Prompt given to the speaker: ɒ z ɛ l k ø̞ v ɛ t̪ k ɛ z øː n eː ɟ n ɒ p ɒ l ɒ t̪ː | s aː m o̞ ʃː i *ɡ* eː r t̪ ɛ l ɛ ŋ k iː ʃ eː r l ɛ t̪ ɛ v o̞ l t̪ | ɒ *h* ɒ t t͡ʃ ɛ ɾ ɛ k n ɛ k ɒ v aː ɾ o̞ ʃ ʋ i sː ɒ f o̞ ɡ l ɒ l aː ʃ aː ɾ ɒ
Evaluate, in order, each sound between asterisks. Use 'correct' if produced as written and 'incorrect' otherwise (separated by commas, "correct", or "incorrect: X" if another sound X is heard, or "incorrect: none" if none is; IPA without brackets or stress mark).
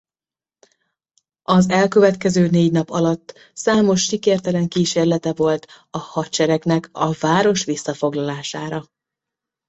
incorrect: k, correct